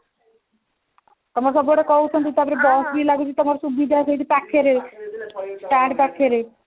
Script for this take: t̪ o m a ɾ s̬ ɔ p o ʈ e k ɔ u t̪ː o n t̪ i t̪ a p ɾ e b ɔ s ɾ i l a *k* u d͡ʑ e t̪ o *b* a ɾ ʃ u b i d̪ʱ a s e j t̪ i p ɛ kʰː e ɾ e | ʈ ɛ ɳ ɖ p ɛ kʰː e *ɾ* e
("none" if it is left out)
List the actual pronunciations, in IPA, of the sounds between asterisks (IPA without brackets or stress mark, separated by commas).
ɡ, m, ɾ